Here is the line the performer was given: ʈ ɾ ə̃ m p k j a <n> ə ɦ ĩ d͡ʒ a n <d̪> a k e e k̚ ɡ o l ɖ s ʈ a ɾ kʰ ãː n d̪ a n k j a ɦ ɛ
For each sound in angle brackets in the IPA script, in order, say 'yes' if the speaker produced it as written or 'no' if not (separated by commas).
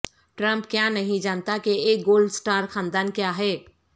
yes, no